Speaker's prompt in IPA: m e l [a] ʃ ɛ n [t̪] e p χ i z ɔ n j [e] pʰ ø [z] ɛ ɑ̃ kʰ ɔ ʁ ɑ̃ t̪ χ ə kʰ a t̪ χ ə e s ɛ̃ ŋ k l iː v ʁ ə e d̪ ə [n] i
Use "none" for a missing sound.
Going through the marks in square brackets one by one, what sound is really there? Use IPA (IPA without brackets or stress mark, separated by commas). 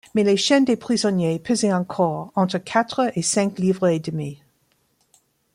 e, d̪, e, z, m